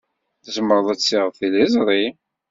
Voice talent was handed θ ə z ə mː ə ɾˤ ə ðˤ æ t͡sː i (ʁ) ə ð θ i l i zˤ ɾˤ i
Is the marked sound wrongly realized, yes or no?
no